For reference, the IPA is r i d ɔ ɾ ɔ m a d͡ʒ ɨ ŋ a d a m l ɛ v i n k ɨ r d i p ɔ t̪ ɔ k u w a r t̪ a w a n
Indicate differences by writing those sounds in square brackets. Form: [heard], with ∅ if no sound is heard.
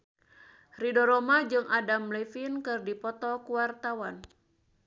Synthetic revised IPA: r i d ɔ ɾ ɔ m a d͡ʒ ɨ ŋ a d a m l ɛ [f] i n k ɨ r d i p ɔ t̪ ɔ k u w a r t̪ a w a n